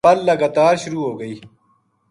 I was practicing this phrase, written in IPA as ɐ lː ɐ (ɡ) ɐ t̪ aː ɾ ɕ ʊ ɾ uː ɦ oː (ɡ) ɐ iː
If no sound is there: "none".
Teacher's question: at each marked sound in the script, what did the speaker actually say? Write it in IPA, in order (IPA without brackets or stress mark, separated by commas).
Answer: ɡ, ɡ